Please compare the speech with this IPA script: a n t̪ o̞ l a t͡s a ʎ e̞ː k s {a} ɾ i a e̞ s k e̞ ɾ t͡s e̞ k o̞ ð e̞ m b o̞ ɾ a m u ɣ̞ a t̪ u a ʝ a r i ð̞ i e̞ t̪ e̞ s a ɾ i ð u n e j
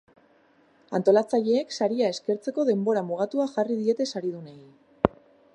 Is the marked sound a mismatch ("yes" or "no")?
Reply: no